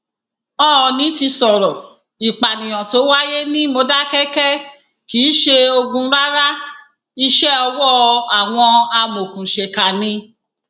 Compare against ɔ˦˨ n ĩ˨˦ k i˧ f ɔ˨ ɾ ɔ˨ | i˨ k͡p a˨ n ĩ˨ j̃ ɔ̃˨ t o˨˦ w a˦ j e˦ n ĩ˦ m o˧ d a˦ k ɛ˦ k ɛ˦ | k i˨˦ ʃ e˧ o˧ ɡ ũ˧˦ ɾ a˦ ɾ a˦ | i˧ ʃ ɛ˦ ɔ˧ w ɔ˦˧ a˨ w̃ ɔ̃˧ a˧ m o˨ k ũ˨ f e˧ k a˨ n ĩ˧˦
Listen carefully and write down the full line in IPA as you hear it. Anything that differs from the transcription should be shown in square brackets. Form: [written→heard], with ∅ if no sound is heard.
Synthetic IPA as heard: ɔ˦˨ n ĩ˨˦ [k→t] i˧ [f→s] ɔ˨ ɾ ɔ˨ | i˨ k͡p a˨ n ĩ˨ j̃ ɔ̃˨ t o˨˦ w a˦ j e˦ n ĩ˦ m o˧ d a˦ k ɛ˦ k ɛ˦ | k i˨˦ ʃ e˧ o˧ ɡ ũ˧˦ ɾ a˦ ɾ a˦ | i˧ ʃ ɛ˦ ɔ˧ w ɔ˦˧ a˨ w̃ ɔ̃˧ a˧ m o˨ k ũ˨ [f→ʃ] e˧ k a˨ n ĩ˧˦